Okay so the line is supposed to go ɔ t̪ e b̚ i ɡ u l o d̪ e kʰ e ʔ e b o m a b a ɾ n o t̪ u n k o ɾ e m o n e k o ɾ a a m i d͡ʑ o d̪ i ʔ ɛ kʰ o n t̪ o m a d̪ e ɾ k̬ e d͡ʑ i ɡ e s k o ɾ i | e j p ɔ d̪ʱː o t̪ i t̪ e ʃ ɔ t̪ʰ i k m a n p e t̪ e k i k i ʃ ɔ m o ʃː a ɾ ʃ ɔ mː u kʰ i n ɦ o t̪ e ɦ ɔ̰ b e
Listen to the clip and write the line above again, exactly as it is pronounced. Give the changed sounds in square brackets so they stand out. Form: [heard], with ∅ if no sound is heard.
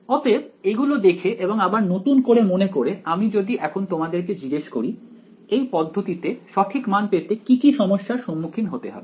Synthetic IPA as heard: ɔ t̪ e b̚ [e] ɡ u l o d̪ e kʰ e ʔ e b o [ŋ] a b a ɾ n o t̪ u n k o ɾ e m o n e k o ɾ [e] a m i d͡ʑ o d̪ i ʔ ɛ kʰ o n t̪ o m a d̪ e ɾ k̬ e d͡ʑ i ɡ e [ʃ] k o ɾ i | e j p ɔ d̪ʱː o t̪ i t̪ e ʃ ɔ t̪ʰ i k m a n p e t̪ e k i k i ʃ ɔ m o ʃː a ɾ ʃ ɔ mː u kʰ i n ɦ o t̪ e ɦ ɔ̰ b e

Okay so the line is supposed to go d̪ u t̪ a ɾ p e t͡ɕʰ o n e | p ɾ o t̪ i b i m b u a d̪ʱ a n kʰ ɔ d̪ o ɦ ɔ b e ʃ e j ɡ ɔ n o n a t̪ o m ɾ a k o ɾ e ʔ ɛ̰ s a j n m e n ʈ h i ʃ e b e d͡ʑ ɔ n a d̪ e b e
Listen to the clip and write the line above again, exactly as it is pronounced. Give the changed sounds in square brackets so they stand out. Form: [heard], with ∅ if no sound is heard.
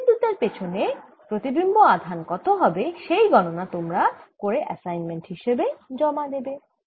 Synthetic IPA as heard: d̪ u t̪ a ɾ p e t͡ɕʰ o n e | p ɾ o t̪ i b i m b [o] a d̪ʱ a n [k] ɔ [t̪] o ɦ ɔ b e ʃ e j ɡ ɔ n o n a t̪ o m ɾ a k o ɾ e ʔ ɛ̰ s a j n m e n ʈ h i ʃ e b e d͡ʑ ɔ [m] a d̪ e b e

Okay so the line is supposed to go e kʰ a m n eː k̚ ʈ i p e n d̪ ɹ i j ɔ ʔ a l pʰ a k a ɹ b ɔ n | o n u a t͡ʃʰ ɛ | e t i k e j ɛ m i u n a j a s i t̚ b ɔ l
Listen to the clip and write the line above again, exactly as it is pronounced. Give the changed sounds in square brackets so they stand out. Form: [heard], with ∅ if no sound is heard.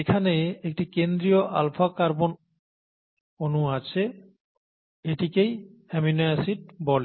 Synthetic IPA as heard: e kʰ a [∅] n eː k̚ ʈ i [k] e n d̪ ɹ i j ɔ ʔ a l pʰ a k a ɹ b ɔ n | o n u a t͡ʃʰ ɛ | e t i k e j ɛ m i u n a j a s i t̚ b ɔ l

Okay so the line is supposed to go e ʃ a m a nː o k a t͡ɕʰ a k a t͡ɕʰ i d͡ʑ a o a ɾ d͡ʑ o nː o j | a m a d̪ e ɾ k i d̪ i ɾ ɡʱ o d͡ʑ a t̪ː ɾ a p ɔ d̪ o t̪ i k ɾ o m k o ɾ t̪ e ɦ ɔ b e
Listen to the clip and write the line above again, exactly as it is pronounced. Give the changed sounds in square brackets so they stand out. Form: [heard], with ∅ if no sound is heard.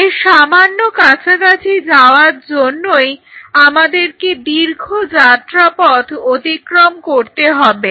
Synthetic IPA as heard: e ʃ a m a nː o k a t͡ɕʰ a k a t͡ɕʰ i d͡ʑ a o a ɾ d͡ʑ o nː o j | a m a d̪ e ɾ k [e] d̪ i ɾ ɡʱ o d͡ʑ a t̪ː ɾ a p ɔ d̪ o t̪ i k ɾ o m k o ɾ t̪ e ɦ ɔ b e

